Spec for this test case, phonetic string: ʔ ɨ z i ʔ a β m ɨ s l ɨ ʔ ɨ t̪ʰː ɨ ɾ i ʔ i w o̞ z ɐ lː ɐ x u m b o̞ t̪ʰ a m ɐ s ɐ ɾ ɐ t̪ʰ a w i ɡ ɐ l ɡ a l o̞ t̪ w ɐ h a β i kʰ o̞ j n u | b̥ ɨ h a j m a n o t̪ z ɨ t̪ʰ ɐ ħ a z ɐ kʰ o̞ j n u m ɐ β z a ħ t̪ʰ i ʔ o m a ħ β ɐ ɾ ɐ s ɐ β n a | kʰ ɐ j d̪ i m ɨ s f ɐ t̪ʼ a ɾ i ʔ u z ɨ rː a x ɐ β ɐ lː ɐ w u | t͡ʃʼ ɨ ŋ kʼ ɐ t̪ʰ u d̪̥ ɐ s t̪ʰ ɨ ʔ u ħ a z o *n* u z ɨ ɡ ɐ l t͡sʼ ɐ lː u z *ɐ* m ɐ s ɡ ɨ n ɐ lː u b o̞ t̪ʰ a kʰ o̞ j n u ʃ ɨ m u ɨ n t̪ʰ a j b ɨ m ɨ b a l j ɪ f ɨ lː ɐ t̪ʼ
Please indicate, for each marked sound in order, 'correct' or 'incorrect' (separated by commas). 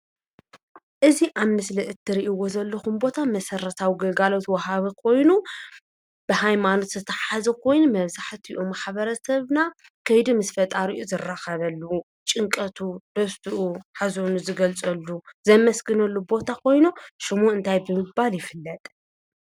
correct, correct